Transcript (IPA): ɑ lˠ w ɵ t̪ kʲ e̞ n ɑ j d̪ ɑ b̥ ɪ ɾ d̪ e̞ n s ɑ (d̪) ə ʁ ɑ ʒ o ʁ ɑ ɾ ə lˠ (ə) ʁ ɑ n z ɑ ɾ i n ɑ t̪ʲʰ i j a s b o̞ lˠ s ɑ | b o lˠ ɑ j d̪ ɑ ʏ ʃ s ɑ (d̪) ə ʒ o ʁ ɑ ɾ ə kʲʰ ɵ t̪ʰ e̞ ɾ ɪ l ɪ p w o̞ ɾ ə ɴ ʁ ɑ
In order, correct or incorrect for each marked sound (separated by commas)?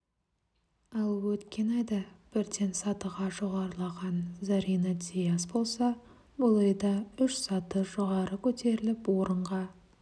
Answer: incorrect, incorrect, incorrect